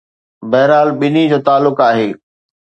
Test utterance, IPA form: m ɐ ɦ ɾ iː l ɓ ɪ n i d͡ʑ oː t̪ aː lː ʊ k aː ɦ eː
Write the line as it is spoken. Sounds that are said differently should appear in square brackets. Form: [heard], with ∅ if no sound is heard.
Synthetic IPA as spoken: [b] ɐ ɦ ɾ [aː] l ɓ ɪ n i d͡ʑ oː t̪ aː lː ʊ k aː ɦ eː